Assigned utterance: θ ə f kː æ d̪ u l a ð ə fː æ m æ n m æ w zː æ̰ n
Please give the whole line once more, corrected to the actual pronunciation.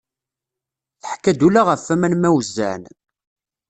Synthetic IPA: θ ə ħ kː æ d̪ u l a ʁ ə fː æ m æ n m æ w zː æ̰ n

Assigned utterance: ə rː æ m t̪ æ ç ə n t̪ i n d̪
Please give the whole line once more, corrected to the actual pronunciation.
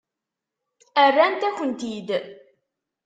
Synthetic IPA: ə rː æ n t̪ æ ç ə n t̪ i d̪

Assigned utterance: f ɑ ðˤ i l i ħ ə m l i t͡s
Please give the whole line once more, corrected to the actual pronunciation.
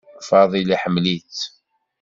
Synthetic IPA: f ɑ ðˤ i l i ħ ə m l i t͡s

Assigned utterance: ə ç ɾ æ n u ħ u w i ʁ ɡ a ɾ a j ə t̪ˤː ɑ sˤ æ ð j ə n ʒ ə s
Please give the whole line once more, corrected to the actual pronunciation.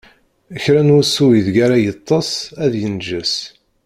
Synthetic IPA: ə ç ɾ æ n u s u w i ð ɡ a ɾ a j ə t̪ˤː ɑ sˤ æ ð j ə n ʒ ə s

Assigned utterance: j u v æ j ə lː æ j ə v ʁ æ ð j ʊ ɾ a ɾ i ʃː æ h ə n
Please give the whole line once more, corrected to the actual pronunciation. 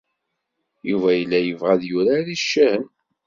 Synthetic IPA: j u v æ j ə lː æ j ə v ʁ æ ð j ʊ ɾ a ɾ i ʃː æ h ə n

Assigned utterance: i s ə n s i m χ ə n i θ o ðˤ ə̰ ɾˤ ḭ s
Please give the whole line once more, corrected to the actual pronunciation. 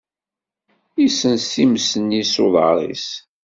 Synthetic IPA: i s ə n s i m s ə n i s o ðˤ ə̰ ɾˤ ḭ s

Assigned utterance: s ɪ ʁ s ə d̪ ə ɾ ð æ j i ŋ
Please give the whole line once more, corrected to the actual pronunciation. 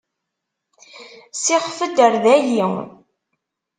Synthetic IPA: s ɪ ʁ f ə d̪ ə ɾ ð æ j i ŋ

